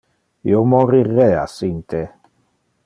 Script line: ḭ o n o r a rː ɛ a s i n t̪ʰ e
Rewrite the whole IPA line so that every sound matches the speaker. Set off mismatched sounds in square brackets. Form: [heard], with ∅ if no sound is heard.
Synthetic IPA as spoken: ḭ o [m] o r [i] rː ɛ a s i n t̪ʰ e